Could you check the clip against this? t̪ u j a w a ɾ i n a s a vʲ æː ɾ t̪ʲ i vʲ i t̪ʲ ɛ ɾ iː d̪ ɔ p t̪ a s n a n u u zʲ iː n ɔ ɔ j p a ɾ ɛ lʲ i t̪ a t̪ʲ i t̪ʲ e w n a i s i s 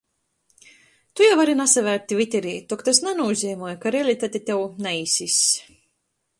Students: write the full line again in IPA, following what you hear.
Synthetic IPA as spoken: t̪ u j a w a ɾ i n a s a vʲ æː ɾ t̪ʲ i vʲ i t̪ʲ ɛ ɾ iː t̪ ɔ k t̪ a s n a n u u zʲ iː m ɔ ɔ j k a ɾ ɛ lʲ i t̪ a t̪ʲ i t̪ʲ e w n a i s i s